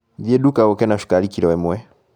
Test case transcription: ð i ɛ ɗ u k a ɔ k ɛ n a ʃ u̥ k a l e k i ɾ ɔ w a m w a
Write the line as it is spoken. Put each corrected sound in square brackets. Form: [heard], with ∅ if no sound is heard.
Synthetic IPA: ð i ɛ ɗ u k a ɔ k ɛ n a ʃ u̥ k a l [i] k i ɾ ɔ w [ɛ] m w [ɛ]